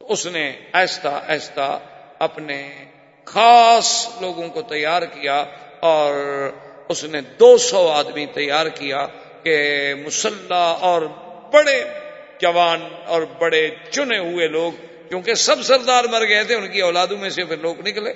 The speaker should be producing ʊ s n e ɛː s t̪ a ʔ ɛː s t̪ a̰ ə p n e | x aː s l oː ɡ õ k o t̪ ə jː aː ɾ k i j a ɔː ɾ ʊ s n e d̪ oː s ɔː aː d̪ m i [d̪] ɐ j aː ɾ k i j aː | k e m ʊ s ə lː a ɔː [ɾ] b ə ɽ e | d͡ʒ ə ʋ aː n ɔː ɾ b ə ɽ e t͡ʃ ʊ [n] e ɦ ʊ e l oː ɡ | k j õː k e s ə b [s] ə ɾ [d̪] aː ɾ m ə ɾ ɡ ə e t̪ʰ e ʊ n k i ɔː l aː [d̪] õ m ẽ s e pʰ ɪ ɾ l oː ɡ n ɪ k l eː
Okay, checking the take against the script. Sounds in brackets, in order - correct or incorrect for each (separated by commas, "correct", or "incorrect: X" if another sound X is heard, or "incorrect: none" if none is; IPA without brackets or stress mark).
incorrect: t̪, correct, correct, correct, correct, correct